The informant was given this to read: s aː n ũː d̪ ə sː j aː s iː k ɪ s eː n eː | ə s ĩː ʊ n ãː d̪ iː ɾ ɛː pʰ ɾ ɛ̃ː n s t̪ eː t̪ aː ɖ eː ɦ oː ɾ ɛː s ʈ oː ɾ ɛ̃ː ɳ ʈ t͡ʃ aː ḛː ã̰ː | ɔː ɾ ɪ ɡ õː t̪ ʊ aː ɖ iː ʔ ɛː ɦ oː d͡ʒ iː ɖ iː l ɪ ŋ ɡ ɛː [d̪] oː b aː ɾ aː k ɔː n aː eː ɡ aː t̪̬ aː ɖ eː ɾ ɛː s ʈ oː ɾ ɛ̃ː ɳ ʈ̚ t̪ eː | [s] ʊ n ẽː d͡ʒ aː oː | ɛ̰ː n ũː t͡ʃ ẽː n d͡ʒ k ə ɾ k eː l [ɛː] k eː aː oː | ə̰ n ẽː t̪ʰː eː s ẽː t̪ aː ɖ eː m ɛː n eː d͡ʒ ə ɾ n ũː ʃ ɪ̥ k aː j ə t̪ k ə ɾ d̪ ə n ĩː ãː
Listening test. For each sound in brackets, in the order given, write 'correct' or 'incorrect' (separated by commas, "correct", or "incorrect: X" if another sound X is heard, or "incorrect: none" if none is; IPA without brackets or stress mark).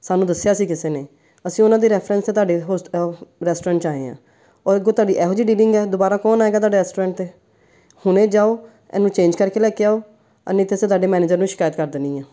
correct, incorrect: h, correct